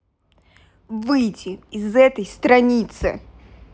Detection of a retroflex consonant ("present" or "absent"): absent